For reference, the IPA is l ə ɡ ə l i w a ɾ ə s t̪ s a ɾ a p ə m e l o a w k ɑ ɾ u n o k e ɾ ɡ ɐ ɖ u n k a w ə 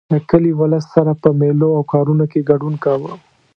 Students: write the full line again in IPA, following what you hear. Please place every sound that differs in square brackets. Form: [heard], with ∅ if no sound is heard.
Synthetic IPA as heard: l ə [k] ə l i w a [l] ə s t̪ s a ɾ a p ə m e l o a w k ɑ ɾ u n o k e [∅] ɡ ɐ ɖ u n k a w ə